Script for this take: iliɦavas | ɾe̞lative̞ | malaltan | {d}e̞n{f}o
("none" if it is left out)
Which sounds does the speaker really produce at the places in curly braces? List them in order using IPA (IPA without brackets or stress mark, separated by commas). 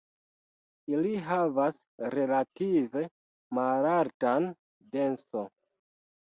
d, s